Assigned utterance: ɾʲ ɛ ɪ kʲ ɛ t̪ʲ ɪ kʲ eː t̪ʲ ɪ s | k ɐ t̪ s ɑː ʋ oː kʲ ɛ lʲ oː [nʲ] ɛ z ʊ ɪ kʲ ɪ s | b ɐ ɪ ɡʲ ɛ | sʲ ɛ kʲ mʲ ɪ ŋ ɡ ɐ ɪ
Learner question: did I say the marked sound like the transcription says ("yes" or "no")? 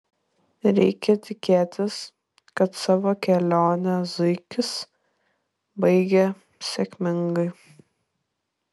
yes